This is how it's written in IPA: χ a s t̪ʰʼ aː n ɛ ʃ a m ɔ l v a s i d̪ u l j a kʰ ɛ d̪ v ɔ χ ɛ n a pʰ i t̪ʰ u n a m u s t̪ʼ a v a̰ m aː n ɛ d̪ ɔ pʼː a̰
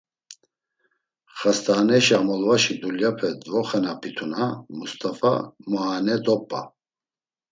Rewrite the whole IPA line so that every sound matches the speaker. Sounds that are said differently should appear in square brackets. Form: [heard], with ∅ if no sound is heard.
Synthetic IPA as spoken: χ a s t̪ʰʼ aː n ɛ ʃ a m ɔ l v a [ʃ] i d̪ u l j a [pʰ] ɛ d̪ v ɔ χ ɛ n a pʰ i t̪ʰ u n a m u s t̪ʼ a [f] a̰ m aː n ɛ d̪ ɔ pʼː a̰